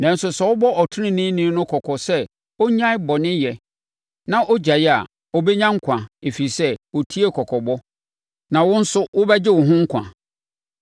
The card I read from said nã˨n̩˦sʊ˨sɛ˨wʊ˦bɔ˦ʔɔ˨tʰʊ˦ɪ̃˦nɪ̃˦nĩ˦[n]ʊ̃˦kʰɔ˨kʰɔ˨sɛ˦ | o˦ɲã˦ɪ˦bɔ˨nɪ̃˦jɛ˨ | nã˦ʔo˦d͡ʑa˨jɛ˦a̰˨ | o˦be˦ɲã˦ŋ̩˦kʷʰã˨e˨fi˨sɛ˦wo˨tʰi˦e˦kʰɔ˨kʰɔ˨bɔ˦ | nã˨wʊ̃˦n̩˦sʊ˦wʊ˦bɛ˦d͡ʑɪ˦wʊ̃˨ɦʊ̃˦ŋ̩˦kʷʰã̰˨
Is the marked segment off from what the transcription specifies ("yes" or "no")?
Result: no